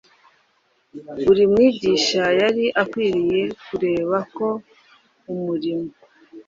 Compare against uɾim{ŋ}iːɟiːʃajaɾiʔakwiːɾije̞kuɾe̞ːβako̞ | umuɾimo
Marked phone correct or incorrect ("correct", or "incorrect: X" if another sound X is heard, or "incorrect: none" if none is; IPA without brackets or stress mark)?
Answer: correct